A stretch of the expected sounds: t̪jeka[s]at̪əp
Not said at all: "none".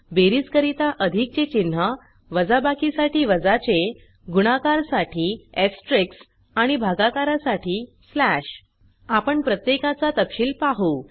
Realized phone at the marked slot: t͡s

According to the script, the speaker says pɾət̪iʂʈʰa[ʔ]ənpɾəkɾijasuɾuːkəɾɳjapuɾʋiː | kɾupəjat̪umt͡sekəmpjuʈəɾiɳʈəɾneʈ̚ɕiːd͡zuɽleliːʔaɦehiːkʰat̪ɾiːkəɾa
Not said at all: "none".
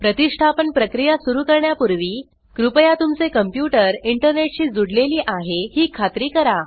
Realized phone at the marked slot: p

